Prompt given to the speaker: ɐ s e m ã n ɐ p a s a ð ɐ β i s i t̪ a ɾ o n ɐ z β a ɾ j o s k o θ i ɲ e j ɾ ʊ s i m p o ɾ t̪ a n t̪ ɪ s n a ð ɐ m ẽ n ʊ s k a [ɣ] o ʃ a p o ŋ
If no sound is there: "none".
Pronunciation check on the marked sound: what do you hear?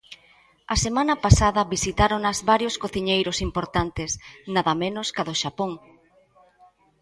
ð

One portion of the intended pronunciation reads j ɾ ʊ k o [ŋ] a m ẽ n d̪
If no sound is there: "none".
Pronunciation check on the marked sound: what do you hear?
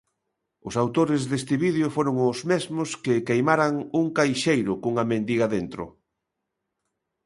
ŋ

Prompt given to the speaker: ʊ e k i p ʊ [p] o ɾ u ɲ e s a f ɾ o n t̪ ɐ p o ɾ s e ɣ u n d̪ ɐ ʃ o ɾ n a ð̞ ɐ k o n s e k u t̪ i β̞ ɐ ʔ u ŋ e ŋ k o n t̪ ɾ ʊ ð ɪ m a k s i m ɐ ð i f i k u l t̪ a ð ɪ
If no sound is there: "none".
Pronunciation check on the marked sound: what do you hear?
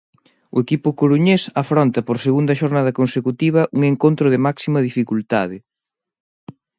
k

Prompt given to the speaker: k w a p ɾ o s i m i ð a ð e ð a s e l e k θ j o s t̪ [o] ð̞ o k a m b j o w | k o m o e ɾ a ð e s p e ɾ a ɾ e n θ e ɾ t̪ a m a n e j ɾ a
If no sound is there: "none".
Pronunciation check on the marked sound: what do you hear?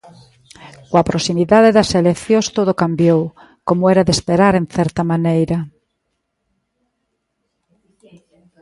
o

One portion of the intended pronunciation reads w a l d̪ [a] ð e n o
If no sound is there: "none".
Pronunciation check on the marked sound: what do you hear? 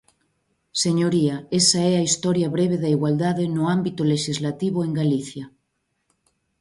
a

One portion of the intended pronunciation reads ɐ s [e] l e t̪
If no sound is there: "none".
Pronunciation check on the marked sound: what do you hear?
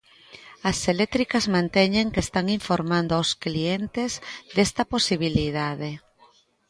e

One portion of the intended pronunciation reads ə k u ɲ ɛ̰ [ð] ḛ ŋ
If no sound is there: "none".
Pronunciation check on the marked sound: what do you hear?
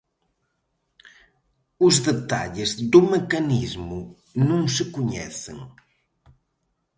θ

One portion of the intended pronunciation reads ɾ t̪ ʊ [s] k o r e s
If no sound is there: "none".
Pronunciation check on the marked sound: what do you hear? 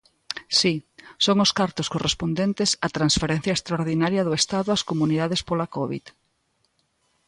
s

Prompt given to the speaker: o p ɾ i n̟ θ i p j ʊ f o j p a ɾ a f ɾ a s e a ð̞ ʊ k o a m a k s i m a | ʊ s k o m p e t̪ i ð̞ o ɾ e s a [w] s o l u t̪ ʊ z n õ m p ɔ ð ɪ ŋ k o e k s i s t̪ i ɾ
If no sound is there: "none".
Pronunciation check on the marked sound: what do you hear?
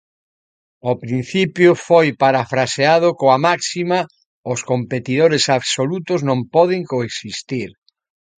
β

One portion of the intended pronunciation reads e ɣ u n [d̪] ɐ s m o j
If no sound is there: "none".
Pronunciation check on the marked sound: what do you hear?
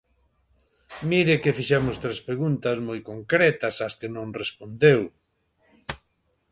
t̪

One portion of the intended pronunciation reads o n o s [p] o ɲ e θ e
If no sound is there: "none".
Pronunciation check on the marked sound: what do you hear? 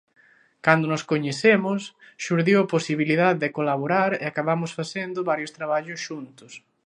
k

